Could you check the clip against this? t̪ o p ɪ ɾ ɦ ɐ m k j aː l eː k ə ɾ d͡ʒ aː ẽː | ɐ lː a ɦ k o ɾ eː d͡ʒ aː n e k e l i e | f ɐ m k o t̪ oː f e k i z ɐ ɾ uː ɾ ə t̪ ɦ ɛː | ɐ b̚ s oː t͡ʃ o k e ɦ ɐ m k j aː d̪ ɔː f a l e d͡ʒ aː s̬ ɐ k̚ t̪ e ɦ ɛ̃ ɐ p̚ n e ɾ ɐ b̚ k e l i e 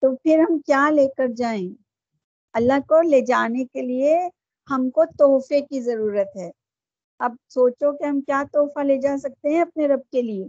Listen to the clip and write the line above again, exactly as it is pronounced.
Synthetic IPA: t̪ o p ɪ ɾ ɦ ɐ m k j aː l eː k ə ɾ d͡ʒ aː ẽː | ɐ lː a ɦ k o l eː d͡ʒ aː n e k e l i e | h ɐ m k o t̪ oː f e k i z ɐ ɾ uː ɾ ə t̪ ɦ ɛː | ɐ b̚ s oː t͡ʃ o k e ɦ ɐ m k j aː t̪ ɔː f a l e d͡ʒ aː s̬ ɐ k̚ t̪ e ɦ ɛ̃ ɐ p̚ n e ɾ ɐ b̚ k e l i e